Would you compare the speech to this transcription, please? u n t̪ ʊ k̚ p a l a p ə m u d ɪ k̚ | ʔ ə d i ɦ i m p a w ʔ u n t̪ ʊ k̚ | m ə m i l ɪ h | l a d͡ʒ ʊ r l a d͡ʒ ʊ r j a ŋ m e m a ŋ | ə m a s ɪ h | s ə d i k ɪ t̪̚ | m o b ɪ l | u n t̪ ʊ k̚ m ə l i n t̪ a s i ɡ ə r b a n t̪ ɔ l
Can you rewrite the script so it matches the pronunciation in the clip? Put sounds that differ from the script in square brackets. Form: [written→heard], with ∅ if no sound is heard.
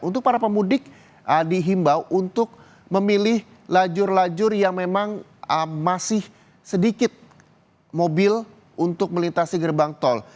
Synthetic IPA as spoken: u n t̪ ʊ k̚ p a [l→ɾ] a p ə m u d ɪ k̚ | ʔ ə d i ɦ i m [p→b] a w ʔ u n t̪ ʊ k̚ | m ə m i l ɪ h | l a d͡ʒ ʊ r l a d͡ʒ ʊ r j a ŋ m e m a ŋ | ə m a s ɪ h | s ə d i k ɪ t̪̚ | m o b ɪ l | u n t̪ ʊ k̚ m ə l i n t̪ a s i ɡ ə r b a [n→ŋ] t̪ ɔ l